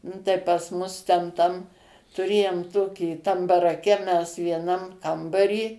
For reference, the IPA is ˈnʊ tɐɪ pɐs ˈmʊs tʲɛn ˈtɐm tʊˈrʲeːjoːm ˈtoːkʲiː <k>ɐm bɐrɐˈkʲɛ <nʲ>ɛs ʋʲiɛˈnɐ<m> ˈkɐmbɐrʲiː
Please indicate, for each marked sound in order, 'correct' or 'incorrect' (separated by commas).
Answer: incorrect, incorrect, correct